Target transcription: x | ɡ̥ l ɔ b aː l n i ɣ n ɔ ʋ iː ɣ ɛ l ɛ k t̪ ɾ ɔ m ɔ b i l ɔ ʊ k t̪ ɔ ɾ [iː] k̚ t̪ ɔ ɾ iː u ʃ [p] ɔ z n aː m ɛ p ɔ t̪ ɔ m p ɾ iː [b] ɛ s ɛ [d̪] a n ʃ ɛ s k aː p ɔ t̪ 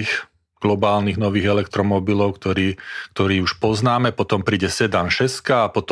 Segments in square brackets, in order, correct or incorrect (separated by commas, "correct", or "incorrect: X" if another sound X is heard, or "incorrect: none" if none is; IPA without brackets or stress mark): correct, correct, incorrect: ɟ, correct